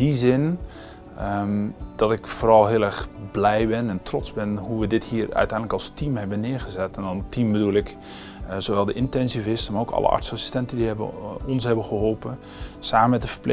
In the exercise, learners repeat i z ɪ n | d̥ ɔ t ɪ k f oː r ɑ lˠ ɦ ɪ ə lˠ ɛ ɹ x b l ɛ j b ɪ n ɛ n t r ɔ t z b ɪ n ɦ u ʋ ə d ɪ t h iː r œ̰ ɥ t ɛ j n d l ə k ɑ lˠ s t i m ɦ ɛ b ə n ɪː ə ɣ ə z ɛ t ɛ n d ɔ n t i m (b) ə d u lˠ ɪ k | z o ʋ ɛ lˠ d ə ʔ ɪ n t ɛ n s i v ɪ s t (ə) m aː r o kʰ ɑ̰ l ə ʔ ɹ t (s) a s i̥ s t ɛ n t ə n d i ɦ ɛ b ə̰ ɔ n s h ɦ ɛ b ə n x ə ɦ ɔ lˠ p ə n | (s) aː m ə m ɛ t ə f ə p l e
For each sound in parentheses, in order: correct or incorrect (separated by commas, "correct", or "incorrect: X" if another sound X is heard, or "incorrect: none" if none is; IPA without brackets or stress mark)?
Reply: correct, correct, correct, correct